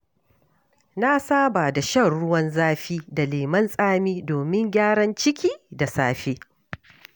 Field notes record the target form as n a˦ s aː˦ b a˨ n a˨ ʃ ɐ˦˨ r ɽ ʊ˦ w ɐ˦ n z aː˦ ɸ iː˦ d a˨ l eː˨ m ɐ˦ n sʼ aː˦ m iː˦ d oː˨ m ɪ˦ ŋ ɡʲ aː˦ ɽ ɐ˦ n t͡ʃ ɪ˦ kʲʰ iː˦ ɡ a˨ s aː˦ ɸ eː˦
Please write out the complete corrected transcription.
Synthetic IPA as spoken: n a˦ s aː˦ b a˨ d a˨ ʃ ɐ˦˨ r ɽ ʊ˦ w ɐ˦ n z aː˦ ɸ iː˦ d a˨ l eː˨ m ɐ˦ n sʼ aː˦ m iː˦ d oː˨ m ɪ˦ ŋ ɡʲ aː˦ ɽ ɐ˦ n t͡ʃ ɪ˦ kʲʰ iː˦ d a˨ s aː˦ ɸ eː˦

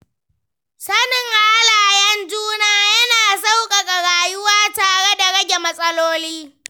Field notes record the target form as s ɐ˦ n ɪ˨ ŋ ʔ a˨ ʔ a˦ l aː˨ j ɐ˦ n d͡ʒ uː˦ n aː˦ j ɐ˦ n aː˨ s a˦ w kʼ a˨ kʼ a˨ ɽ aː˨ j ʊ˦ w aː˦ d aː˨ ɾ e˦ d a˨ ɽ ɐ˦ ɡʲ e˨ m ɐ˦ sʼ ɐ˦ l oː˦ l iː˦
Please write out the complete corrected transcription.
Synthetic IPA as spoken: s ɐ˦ n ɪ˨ ŋ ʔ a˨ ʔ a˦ l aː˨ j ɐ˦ n d͡ʒ uː˦ n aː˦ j ɐ˦ n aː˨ s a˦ w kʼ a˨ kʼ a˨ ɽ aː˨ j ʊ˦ w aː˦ t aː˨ ɽ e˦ d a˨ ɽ ɐ˦ ɡʲ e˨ m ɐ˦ sʼ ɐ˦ l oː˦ l iː˦

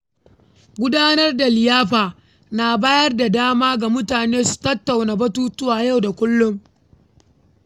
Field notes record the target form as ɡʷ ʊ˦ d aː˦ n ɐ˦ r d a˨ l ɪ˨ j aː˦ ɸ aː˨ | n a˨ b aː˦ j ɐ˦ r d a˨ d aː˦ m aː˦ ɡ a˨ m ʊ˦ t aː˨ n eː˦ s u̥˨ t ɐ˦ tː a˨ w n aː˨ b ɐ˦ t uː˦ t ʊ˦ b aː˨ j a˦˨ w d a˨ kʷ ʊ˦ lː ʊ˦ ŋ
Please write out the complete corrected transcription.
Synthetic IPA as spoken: ɡʷ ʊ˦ d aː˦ n ɐ˦ r d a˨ l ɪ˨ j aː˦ ɸ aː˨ | n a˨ b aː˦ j ɐ˦ r d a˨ d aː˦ m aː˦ ɡ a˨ m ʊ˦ t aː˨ n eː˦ s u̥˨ t ɐ˦ tː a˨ w n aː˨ b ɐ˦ t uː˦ t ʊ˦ w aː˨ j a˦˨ w d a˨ kʷ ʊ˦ lː ʊ˦ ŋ

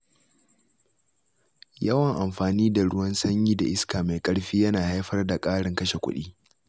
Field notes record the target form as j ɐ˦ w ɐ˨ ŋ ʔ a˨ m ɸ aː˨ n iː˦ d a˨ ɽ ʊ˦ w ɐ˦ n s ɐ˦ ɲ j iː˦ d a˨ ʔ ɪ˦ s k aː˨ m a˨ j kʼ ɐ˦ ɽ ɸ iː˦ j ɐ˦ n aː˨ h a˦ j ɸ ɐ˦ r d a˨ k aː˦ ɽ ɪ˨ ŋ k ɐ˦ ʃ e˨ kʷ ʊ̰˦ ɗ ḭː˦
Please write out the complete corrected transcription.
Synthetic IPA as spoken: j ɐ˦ w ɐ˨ ŋ ʔ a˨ m ɸ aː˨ n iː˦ d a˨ ɽ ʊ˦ w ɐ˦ n s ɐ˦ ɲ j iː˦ d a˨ ʔ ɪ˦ s k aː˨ m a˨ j kʼ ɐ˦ ɽ ɸ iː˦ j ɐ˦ n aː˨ h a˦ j ɸ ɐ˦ r d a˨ kʼ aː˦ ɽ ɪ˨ ŋ k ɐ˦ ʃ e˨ kʷ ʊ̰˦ ɗ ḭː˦

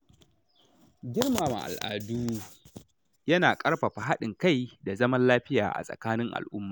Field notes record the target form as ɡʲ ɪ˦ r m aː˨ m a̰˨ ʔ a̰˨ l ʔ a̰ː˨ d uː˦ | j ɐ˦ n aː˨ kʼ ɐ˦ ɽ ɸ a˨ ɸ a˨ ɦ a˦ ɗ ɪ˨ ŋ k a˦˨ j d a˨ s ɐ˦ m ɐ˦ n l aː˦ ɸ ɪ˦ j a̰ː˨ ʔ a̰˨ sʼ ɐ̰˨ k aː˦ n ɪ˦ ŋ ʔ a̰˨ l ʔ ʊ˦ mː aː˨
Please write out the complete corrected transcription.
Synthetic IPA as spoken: ɡʲ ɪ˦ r m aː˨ m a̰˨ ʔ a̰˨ l ʔ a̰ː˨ d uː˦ | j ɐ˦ n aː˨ kʼ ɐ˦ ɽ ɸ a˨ ɸ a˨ ɦ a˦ ɗ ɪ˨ ŋ k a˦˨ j d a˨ z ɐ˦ m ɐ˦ n l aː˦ ɸ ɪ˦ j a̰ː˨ ʔ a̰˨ sʼ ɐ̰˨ k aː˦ n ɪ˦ ŋ ʔ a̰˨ l ʔ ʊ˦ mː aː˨

